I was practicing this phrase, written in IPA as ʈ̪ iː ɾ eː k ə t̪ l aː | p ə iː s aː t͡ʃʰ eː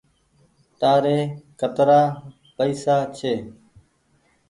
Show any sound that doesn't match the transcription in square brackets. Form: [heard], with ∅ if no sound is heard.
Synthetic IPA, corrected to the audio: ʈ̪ [aː] ɾ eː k ə t̪ [ɾ] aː | p ə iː s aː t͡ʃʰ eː